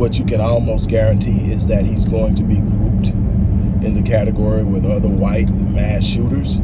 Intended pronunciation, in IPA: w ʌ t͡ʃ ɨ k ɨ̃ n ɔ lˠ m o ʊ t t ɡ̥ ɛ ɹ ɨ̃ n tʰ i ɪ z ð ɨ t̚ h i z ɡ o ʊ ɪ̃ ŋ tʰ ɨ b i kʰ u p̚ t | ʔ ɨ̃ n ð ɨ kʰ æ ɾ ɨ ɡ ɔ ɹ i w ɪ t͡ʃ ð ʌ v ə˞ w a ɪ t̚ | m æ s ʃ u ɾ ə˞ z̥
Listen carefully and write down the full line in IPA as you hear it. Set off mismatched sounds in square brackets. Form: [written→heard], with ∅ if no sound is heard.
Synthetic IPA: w ʌ t͡ʃ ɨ k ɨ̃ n ɔ lˠ m o ʊ [t→s] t ɡ̥ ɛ ɹ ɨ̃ n tʰ i ɪ z ð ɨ t̚ h i z ɡ o ʊ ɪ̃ ŋ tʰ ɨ b i kʰ u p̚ t | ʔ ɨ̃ n ð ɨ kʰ æ ɾ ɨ ɡ ɔ ɹ i w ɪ [t͡ʃ→∅] ð ʌ [v→ð] ə˞ w a ɪ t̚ | m æ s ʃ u ɾ ə˞ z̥